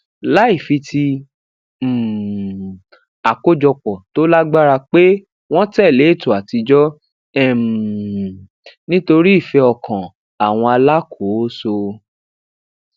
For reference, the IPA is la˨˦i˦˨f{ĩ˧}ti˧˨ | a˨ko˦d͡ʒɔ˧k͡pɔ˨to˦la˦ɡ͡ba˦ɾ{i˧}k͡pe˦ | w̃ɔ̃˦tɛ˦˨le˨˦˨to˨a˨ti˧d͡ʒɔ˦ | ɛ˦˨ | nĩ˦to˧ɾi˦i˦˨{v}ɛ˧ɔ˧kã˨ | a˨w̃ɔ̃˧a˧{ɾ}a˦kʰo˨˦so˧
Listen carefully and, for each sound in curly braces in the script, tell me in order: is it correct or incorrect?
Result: incorrect: i˧, incorrect: a˧, incorrect: f, incorrect: l

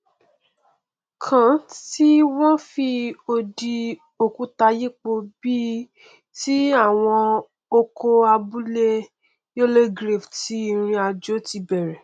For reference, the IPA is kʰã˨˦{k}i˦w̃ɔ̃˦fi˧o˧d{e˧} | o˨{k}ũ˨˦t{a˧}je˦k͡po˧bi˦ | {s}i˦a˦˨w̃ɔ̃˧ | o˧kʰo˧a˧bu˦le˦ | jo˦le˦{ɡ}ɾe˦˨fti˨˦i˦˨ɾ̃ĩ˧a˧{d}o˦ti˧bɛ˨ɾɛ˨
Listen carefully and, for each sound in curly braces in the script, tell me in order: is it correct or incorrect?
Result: incorrect: t, incorrect: i˧, correct, correct, incorrect: t, correct, incorrect: d͡ʒ

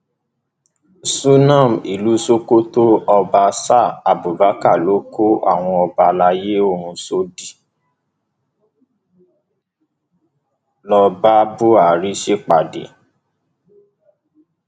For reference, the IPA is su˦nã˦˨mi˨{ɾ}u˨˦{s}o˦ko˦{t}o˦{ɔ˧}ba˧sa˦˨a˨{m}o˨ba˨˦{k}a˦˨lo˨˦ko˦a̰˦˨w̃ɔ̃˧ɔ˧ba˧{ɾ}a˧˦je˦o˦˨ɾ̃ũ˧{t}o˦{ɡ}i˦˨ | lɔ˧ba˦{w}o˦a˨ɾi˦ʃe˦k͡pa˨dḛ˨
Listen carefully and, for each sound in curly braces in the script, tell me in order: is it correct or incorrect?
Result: incorrect: l, correct, correct, correct, incorrect: b, correct, incorrect: l, incorrect: s, incorrect: d, incorrect: b

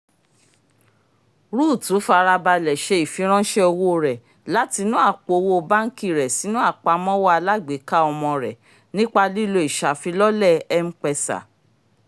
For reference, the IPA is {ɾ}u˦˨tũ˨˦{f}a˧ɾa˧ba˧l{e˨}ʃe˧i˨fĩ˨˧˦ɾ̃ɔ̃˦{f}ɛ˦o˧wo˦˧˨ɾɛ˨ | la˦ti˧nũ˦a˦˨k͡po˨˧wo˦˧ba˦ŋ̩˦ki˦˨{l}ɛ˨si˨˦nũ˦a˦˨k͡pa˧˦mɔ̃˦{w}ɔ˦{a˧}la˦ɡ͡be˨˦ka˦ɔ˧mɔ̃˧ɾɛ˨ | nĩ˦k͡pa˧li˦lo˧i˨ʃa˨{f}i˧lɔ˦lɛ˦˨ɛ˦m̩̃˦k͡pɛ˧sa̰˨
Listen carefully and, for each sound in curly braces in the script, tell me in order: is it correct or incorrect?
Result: correct, correct, incorrect: ɛ˨, incorrect: ʃ, incorrect: ɾ, correct, correct, correct

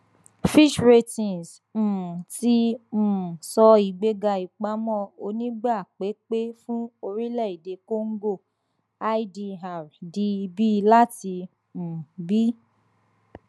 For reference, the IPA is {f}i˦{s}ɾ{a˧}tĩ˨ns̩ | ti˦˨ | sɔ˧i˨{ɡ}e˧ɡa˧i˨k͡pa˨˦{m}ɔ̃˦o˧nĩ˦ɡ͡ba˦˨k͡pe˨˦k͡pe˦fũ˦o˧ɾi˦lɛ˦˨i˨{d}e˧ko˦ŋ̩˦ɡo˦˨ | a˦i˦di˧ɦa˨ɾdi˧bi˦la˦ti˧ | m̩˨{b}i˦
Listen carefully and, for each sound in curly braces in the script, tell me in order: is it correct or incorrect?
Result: correct, incorrect: ʃ, incorrect: e˧, incorrect: ɡ͡b, correct, correct, correct

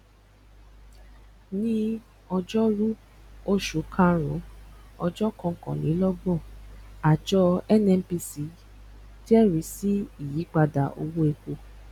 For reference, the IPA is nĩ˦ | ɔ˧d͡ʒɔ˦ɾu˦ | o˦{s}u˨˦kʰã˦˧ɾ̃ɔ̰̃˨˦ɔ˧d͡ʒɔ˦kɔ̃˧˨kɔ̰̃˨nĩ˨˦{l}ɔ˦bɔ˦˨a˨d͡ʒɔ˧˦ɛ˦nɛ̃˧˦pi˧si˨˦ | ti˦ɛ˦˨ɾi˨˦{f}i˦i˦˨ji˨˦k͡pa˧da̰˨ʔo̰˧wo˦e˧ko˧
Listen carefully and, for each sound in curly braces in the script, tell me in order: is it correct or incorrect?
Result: incorrect: ʃ, correct, incorrect: s

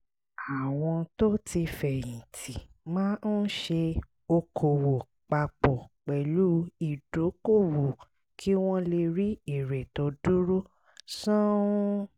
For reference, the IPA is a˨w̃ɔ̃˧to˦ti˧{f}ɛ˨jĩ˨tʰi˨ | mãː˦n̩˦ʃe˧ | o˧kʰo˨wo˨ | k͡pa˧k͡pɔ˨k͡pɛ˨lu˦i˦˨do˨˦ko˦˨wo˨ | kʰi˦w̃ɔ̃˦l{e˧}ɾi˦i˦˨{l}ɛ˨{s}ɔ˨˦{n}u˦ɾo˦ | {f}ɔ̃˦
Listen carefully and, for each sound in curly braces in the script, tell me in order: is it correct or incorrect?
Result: correct, correct, incorrect: ɾ, incorrect: t, incorrect: d, incorrect: s

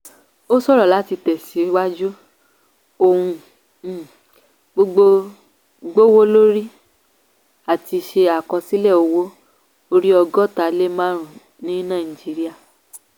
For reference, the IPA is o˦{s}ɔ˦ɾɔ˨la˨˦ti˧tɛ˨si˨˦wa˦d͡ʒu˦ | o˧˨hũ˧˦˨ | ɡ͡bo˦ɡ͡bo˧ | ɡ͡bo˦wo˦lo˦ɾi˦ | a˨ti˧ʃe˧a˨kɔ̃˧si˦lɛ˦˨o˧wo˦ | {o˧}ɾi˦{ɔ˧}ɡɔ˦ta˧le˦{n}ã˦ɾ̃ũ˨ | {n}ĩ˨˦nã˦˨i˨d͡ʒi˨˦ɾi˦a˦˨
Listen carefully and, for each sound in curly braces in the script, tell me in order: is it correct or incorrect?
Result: correct, correct, correct, incorrect: m, correct

